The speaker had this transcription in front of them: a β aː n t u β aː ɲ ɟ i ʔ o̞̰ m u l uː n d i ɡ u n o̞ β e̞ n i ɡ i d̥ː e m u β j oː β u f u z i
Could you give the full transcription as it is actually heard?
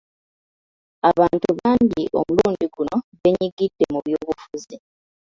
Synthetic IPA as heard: a β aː n t u β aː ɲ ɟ i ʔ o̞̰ m u l uː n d i ɡ u n o̞ β e̞ ɲ i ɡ i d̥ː e m u β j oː β u f u z i